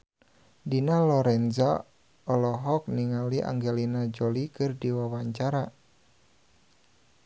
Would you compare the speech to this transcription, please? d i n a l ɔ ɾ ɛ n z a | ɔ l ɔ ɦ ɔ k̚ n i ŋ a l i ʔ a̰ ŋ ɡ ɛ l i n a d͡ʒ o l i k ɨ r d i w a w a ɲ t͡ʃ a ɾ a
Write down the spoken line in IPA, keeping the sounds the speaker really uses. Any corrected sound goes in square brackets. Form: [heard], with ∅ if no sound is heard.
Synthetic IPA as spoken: d i n a l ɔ ɾ ɛ n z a | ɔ l ɔ ɦ ɔ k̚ n i ŋ a l i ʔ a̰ ŋ ɡ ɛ l i n a d͡ʒ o l i k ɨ r d i w a w a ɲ t͡ʃ a ɾ a